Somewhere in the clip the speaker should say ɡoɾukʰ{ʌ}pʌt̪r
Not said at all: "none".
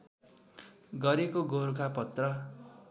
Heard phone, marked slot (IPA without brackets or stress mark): a